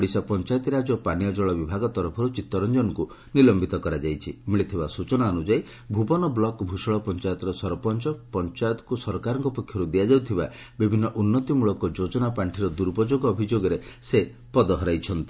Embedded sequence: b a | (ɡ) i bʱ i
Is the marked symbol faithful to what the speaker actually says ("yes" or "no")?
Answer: no